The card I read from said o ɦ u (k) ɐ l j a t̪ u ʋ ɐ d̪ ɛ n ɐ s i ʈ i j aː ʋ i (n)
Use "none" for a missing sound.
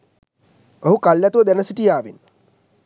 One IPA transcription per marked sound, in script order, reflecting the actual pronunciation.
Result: k, n

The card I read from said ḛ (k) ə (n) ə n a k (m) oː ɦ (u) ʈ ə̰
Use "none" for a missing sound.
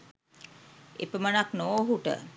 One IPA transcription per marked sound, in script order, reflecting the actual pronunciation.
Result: p, m, n, u

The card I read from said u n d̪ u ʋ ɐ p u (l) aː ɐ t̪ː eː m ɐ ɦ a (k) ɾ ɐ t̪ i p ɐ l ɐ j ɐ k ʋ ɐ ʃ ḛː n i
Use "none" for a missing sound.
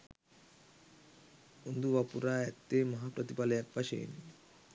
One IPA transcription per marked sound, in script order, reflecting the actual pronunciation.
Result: ɾ, p

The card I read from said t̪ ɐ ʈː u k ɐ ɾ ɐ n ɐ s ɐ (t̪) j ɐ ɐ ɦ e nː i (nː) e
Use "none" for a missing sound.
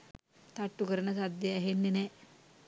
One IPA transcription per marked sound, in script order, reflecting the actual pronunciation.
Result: d̪, n

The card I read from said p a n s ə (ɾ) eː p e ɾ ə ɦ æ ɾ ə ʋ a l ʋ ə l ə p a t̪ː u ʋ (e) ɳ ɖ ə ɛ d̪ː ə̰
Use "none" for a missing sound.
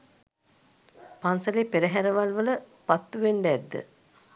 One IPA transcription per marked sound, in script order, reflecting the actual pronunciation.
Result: l, e

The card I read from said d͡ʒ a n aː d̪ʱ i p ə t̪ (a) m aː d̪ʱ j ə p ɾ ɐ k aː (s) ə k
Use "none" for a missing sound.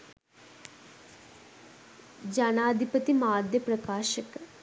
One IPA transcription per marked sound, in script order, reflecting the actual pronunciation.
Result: i, ʃ

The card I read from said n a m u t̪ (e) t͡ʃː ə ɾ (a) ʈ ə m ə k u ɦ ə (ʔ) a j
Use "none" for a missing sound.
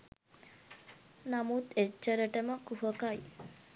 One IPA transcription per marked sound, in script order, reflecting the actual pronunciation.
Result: e, ə, k

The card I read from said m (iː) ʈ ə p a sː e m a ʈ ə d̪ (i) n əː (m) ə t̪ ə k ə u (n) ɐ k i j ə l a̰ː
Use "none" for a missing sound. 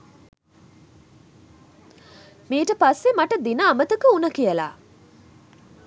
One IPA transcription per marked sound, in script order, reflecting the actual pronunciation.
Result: iː, i, m, n

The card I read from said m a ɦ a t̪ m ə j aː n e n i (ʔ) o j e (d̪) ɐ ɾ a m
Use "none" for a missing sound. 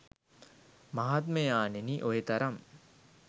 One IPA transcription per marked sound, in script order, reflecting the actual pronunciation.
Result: ʔ, t̪

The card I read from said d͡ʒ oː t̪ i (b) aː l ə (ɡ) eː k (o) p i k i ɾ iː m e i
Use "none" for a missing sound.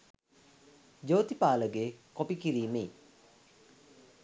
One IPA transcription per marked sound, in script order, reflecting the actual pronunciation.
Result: p, ɡ, o

